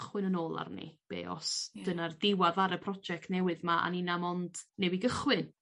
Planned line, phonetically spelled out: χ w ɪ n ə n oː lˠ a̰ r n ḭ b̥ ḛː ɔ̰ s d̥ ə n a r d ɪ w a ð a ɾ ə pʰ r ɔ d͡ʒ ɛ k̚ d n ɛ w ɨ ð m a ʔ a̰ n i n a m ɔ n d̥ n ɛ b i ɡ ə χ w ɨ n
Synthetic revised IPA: χ w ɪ n ə n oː lˠ a̰ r n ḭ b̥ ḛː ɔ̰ s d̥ ə n a r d ɪ w a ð a ɾ ə pʰ r ɔ d͡ʒ ɛ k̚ t n ɛ w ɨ ð m a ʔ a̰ n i n a m ɔ n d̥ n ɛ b i ɡ ə χ w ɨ n